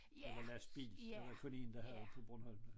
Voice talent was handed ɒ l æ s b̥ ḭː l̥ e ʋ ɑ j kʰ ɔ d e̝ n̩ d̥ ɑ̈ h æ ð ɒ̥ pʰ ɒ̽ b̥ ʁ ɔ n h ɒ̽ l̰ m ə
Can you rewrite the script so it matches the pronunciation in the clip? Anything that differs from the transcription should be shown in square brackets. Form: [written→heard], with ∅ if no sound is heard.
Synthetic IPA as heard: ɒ l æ s b̥ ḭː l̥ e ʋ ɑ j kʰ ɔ [d→n] e̝ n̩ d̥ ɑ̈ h æ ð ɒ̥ pʰ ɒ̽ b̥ ʁ ɔ n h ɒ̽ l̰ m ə